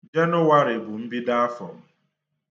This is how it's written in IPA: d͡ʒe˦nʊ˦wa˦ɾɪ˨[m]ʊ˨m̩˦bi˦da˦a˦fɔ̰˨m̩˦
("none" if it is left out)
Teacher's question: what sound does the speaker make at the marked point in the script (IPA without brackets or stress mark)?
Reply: b